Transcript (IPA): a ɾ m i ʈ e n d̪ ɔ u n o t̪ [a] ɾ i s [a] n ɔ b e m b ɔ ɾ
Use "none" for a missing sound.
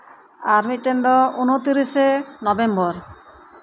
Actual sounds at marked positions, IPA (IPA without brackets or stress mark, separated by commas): i, e